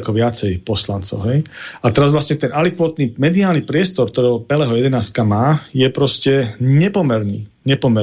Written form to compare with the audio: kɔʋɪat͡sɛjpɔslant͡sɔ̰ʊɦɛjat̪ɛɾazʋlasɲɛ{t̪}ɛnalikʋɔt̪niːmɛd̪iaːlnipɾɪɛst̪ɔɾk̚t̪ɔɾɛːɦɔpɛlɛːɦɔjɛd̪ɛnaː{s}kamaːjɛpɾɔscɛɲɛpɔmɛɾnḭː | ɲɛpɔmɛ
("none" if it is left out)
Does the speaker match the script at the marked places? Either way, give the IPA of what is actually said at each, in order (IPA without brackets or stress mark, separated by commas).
t̪, s